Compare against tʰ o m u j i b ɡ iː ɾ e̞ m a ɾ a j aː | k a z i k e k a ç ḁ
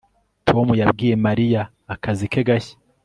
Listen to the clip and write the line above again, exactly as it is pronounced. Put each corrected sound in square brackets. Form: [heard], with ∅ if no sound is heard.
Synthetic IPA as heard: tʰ o m u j [a] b ɡ iː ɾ e̞ m a ɾ [i] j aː | k a z i k e [ɡ] a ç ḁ